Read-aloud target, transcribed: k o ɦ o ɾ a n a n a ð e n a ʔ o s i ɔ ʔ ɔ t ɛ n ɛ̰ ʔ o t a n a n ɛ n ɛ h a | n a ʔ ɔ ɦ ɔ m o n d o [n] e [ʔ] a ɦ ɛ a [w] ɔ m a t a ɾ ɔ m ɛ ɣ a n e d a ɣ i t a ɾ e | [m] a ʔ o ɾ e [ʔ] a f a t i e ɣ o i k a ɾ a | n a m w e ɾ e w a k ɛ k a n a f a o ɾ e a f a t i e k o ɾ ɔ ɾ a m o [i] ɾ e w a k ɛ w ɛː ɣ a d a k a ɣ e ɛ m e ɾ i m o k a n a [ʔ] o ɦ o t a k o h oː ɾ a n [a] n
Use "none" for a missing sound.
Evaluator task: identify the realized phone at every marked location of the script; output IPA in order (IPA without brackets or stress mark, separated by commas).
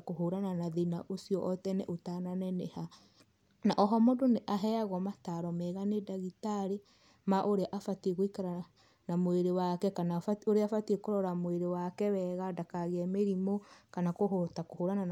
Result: n, ʔ, ɣ, m, ʔ, e, k, a